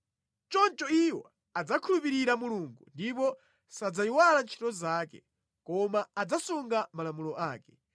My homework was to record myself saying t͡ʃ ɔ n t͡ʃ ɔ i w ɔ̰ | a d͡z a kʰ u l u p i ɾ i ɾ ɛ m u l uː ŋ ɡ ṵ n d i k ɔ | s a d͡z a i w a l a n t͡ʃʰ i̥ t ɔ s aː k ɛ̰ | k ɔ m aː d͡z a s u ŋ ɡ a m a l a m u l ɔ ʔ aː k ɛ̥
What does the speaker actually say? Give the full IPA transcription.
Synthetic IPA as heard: t͡ʃ ɔ n t͡ʃ ɔ i w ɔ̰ | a d͡z a kʰ u l u p i ɾ i ɾ a m u l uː ŋ ɡ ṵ n d i p ɔ | s a d͡z a i w a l a n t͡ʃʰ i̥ t ɔ z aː k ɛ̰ | k ɔ m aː d͡z a s u ŋ ɡ a m a l a m u l ɔ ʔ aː k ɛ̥